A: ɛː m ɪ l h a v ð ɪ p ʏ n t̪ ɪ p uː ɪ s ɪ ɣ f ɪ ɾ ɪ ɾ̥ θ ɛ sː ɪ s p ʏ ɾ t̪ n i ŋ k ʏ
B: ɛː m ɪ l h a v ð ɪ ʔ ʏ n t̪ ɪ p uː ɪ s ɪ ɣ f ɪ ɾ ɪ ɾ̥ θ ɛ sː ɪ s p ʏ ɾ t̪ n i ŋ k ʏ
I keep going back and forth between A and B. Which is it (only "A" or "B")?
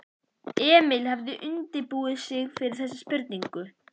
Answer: B